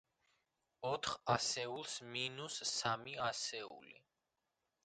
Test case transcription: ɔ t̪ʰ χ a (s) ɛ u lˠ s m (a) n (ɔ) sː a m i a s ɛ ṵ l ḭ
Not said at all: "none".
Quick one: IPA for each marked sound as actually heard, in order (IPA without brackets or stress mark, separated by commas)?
s, i, u